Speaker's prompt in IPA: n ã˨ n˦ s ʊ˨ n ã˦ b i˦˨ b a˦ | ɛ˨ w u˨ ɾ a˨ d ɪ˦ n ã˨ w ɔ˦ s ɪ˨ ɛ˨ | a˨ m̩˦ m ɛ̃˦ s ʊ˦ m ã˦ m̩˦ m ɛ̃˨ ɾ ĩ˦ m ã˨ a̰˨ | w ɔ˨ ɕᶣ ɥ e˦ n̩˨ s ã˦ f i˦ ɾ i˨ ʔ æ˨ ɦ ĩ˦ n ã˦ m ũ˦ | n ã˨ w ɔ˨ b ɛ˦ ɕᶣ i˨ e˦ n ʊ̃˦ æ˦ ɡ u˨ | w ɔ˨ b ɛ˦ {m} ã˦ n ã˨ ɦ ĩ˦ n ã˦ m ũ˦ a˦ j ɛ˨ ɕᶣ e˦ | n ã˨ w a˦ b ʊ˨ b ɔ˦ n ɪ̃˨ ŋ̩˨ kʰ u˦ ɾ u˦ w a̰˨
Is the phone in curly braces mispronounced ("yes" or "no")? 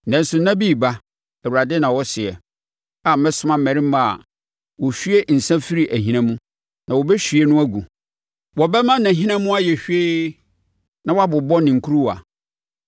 no